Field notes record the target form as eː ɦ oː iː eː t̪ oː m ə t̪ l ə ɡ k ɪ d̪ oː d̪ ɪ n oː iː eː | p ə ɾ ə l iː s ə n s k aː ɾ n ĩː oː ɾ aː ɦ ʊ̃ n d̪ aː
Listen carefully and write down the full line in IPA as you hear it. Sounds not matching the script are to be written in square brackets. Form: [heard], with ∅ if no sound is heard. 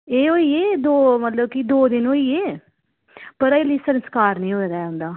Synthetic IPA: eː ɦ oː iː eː [d̪] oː m ə t̪ l ə [b] k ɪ d̪ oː d̪ ɪ n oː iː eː | p ə ɾ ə l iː s ə n s k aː ɾ n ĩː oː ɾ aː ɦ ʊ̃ n d̪ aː

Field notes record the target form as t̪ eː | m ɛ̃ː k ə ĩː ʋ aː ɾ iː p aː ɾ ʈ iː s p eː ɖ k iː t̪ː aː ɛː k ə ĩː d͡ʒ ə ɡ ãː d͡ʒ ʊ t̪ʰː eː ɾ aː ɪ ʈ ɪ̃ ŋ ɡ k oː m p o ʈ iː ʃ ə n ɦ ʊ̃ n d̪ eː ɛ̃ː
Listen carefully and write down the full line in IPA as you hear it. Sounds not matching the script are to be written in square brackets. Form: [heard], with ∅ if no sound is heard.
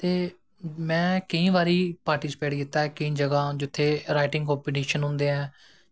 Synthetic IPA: t̪ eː | m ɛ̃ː k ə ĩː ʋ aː ɾ iː p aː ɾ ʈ iː s p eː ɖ k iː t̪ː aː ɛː k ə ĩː d͡ʒ ə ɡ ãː d͡ʒ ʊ t̪ʰː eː ɾ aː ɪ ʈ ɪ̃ ŋ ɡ k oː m p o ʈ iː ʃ ə n ɦ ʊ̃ n d̪ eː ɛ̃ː

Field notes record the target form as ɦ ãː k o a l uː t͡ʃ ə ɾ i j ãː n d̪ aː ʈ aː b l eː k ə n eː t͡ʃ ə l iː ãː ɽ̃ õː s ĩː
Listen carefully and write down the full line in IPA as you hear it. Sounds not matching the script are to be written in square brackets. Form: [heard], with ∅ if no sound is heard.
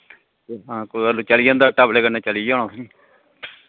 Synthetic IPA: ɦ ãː k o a l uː t͡ʃ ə [l] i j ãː n d̪ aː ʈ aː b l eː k ə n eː t͡ʃ ə l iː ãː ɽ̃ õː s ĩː

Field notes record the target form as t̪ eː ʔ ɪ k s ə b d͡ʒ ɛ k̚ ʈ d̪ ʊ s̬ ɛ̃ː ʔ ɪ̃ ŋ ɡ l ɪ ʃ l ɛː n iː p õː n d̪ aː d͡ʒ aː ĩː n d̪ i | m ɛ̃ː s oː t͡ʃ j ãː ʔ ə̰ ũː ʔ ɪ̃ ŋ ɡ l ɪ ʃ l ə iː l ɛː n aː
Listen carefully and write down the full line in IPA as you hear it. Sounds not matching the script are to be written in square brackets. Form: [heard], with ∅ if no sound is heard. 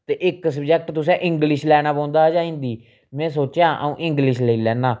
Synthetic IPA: t̪ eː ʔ ɪ k s ə b d͡ʒ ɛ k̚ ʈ [t̪] ʊ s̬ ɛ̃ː ʔ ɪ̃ ŋ ɡ l ɪ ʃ l ɛː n [aː] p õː n d̪ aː d͡ʒ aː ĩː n d̪ [iː] | m ɛ̃ː s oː t͡ʃ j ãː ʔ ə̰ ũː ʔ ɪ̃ ŋ ɡ l ɪ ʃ l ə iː l ɛː n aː

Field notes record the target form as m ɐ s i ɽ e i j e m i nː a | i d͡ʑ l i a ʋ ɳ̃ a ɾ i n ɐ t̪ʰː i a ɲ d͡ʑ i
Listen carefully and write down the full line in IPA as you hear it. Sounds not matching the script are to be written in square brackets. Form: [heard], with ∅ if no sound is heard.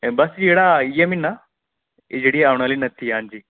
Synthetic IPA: [b] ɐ s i ɽ [a] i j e m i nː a | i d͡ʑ [ɽ] i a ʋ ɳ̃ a [l] i n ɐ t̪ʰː i a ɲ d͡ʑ i

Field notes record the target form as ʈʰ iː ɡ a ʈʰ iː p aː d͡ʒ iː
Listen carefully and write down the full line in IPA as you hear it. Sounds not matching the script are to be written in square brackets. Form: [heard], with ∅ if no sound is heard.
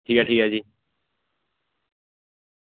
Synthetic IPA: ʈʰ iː [k] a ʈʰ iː [k] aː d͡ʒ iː

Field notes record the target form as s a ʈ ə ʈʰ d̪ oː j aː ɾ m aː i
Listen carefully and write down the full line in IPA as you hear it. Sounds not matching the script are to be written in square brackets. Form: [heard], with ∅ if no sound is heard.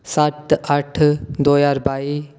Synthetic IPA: s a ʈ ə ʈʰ d̪ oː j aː ɾ [b] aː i

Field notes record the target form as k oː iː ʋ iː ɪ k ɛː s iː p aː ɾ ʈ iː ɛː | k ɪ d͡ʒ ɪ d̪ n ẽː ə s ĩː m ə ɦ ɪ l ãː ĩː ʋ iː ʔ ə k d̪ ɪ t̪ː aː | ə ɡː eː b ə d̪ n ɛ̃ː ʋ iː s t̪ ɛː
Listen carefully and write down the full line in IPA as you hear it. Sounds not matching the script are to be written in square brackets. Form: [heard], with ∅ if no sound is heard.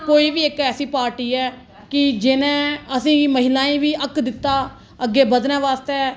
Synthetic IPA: k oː iː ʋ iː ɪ k ɛː s iː p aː ɾ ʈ iː ɛː | k ɪ d͡ʒ ɪ [∅] n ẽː ə s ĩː m ə ɦ ɪ l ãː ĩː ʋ iː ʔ ə k d̪ ɪ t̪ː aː | ə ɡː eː b ə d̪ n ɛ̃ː ʋ [aː] s t̪ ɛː

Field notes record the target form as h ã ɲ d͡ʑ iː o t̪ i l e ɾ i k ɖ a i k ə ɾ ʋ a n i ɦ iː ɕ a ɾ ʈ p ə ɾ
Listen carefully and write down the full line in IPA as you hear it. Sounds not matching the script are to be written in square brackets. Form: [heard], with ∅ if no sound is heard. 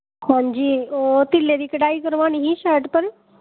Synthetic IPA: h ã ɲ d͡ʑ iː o t̪ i l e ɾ i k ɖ a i k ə ɾ ʋ a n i ɦ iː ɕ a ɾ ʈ p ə ɾ

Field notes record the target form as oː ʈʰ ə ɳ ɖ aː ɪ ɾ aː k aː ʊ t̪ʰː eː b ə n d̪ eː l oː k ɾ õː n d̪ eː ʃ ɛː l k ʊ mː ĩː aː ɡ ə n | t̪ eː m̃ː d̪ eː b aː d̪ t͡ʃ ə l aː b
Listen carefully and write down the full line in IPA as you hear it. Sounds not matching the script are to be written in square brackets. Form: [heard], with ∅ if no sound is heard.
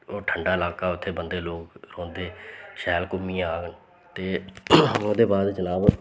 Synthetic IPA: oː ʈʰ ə ɳ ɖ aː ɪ [l] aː k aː ʊ t̪ʰː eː b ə n d̪ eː l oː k ɾ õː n d̪ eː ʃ ɛː l k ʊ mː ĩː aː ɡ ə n | t̪ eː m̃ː d̪ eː b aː d̪ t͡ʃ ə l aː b

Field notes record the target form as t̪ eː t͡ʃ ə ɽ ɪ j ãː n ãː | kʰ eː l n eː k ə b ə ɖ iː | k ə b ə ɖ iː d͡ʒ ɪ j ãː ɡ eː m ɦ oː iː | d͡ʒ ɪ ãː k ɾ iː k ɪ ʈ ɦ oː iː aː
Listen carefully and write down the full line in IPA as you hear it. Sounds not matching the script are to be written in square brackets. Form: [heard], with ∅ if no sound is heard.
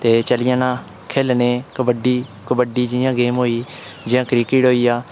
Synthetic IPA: t̪ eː t͡ʃ ə [l] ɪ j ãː n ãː | kʰ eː l n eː k ə b ə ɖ iː | k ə b ə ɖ iː d͡ʒ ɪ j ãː ɡ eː m ɦ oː iː | d͡ʒ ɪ ãː k ɾ iː k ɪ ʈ ɦ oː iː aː

